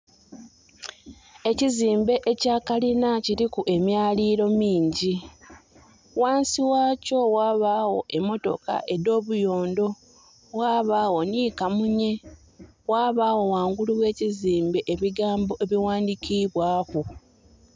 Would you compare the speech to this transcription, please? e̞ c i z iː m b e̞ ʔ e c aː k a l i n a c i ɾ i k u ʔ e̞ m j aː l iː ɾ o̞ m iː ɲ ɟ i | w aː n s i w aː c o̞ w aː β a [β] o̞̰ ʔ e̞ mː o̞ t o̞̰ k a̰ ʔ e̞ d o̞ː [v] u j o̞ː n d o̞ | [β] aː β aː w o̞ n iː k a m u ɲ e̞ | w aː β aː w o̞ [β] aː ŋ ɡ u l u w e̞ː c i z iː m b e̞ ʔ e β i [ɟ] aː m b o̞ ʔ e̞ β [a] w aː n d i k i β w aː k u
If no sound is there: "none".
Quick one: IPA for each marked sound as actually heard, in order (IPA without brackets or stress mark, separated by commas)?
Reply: w, β, w, w, ɡ, i